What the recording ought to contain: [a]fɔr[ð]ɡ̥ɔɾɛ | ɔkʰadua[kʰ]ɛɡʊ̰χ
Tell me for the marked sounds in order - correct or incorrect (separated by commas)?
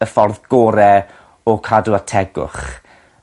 incorrect, correct, incorrect